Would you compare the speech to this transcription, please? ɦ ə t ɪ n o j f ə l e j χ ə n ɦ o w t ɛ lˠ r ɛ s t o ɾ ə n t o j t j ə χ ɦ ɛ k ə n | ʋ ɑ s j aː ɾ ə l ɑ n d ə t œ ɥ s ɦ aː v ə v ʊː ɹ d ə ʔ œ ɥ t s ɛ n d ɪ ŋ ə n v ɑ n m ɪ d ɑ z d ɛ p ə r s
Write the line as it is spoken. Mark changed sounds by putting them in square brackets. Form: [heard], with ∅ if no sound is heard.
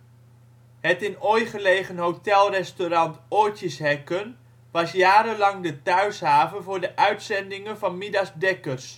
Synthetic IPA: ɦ ə t ɪ n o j [χ] ə l e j χ ə n ɦ o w t ɛ lˠ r ɛ s t o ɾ [ɑ] n t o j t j ə [s] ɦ ɛ k ə n | ʋ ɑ s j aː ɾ ə l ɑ [ŋ] d ə t œ ɥ s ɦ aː v ə v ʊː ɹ d ə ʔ œ ɥ t s ɛ n d ɪ ŋ ə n v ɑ n m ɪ d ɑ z d ɛ [k] ə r s

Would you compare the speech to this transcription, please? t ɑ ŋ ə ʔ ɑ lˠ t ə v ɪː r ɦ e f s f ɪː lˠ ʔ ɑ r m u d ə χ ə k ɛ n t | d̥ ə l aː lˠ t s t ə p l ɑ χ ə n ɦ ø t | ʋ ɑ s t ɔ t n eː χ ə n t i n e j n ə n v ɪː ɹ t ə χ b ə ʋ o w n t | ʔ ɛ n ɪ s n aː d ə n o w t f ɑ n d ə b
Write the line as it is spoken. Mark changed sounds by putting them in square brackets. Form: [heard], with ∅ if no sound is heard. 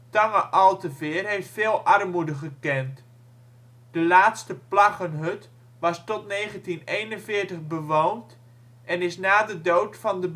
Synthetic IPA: t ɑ ŋ ə ʔ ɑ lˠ t ə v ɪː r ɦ e f [t] f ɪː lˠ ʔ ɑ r m u d ə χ ə k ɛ n t | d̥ ə l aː [∅] t s t ə p l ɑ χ ə n ɦ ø t | ʋ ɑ s t ɔ t n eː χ ə n t i n e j n ə n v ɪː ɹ t ə χ b ə ʋ o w n t | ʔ ɛ n ɪ s n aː d ə [d] o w t f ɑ n d ə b

